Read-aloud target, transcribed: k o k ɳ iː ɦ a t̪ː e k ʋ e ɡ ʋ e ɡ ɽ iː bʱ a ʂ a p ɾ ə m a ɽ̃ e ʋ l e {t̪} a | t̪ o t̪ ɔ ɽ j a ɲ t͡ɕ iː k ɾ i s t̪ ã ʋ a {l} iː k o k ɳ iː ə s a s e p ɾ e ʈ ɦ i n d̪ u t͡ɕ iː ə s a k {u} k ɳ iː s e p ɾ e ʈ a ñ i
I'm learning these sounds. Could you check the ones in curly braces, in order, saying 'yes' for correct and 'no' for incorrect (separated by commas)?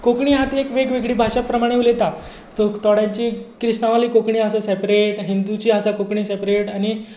yes, yes, no